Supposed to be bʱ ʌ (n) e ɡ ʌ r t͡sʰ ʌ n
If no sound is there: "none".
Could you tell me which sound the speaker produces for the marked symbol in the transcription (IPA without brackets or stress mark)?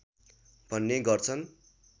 nː